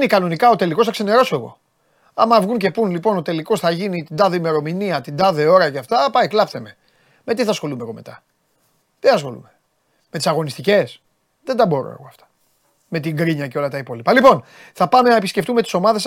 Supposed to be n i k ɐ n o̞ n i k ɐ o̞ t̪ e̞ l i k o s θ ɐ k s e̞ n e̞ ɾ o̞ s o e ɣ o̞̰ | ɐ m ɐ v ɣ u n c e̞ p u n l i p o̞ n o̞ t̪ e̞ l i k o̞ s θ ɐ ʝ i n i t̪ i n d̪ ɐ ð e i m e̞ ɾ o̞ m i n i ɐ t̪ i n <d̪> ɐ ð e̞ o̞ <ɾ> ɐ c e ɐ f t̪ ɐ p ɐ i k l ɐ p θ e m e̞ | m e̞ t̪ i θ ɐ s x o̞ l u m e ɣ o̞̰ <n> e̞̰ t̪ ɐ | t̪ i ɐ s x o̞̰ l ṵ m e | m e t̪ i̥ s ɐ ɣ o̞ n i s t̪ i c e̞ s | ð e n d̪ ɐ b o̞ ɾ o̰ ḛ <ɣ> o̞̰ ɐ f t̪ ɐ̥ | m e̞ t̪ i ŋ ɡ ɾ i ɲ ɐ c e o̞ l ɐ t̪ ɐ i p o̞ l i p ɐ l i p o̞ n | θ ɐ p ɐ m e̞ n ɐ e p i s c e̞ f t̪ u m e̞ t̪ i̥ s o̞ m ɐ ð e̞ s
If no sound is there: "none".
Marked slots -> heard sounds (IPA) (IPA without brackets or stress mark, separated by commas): d̪, ɾ, m, ɣ